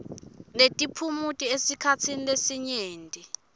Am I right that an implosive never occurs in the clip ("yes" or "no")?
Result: yes